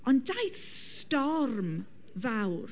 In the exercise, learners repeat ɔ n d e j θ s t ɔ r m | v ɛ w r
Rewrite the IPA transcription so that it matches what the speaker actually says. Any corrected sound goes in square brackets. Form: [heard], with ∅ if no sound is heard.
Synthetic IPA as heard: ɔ n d [a] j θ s t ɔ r m | v [a] w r